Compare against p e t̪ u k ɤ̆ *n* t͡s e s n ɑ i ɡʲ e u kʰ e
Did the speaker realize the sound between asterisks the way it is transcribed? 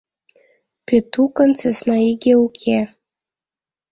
yes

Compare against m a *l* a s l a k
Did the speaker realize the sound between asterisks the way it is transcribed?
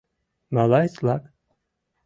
yes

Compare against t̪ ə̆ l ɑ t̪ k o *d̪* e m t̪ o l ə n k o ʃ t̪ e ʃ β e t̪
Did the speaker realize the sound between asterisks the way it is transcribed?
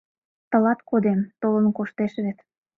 yes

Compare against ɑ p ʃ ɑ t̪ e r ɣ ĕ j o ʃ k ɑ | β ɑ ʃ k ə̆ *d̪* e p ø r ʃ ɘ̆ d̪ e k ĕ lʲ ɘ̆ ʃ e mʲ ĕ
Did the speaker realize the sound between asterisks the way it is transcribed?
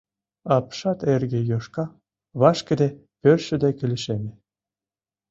yes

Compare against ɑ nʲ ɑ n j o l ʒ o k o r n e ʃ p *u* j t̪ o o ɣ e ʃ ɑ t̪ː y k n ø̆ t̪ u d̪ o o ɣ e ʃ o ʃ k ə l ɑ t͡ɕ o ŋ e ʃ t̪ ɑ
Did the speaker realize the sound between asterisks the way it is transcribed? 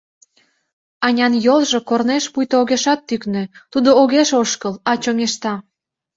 yes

